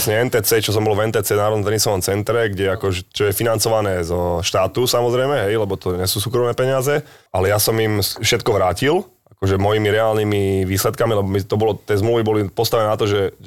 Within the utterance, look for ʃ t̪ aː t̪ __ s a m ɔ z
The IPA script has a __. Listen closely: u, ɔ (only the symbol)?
u